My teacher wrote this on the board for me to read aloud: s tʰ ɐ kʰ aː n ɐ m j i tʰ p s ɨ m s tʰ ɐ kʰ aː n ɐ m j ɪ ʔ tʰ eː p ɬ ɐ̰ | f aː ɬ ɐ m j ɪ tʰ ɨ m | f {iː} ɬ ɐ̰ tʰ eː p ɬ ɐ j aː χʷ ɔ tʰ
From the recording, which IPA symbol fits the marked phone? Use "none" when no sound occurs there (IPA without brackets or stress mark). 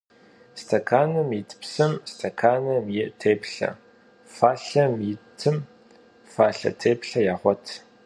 aː